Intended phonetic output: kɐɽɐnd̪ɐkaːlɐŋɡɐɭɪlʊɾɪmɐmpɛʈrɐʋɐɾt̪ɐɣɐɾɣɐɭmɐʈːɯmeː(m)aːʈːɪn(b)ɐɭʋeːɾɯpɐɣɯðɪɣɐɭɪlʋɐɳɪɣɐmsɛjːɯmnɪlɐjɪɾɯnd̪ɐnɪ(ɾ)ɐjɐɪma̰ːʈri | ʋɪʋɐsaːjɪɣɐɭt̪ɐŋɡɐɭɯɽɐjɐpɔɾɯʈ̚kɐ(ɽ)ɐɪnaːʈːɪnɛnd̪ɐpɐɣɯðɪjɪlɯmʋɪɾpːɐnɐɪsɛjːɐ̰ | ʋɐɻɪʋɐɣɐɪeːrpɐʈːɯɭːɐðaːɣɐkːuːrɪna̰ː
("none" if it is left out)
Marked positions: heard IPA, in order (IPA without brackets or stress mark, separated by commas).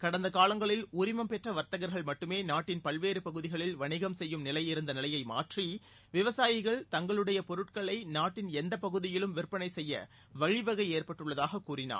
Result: n, p, l, ɭ